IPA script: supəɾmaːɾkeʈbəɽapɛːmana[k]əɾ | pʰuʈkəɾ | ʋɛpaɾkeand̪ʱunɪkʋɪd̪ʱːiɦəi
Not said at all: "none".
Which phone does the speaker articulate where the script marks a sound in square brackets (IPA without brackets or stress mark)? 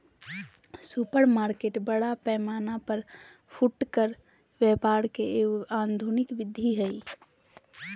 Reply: p